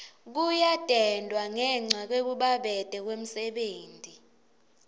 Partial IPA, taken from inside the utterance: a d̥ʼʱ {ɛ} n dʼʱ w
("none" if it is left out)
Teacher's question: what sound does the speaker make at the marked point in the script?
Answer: ɛ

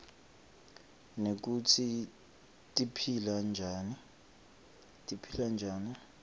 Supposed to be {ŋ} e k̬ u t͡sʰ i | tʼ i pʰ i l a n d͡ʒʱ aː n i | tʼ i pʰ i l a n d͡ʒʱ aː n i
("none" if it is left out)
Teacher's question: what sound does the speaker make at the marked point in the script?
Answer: n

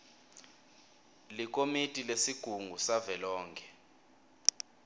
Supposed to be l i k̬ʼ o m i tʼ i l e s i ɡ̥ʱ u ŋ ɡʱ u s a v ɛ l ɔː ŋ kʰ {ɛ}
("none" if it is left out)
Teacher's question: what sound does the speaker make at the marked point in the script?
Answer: ɛ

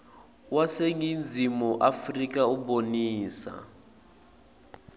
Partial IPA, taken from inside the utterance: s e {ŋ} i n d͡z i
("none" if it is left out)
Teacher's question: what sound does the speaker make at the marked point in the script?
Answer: ŋ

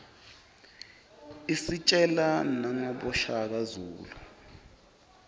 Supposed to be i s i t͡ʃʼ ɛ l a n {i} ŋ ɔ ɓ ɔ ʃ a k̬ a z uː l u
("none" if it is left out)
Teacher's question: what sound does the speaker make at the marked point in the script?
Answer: a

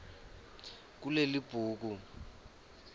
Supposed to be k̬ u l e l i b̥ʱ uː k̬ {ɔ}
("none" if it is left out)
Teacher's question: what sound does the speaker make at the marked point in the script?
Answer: u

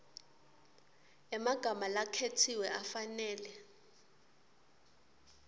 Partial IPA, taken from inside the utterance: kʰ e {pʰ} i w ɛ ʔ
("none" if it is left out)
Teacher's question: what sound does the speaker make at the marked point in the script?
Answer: tʰ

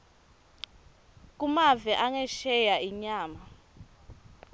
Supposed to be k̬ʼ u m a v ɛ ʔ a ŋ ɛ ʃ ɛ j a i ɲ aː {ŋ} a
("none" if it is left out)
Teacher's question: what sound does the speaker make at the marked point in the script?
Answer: m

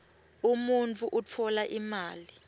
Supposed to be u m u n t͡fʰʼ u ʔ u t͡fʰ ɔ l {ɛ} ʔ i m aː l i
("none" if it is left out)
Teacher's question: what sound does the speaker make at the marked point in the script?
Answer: a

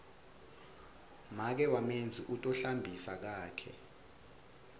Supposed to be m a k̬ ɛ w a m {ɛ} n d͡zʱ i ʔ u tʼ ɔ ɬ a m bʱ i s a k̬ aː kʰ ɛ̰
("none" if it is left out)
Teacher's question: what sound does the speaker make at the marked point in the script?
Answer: e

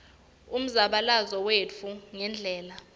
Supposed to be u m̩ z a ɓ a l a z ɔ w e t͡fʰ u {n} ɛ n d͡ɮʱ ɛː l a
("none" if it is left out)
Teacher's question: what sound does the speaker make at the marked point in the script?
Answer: ŋ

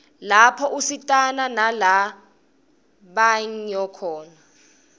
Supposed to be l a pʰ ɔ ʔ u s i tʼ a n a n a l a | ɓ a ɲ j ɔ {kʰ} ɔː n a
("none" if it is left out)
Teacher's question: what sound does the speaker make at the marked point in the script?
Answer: kʰ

